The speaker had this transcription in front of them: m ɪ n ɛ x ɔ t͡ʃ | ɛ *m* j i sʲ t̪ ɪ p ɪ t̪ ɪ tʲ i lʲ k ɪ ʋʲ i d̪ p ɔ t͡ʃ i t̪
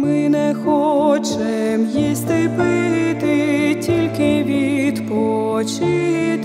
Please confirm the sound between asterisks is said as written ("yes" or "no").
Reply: yes